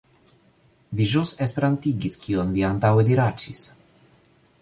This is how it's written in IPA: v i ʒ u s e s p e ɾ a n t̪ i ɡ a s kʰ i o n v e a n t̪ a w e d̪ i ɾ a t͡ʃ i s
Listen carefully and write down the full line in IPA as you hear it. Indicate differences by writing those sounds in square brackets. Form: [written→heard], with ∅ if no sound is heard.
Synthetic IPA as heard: v i ʒ u s e s p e ɾ a n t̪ i ɡ [a→i] s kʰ i o n v [e→i] a n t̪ a w e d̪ i ɾ a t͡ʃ i s